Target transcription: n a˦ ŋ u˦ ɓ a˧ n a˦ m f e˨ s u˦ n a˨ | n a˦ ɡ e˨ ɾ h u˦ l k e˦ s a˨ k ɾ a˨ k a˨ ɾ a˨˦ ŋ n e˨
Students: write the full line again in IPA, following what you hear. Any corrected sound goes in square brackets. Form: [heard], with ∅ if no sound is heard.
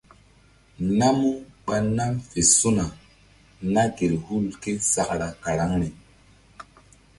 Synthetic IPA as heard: n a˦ [m] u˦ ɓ a˧ n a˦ m f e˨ s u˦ n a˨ | n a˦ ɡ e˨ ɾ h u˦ l k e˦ s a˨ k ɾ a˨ k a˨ ɾ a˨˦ ŋ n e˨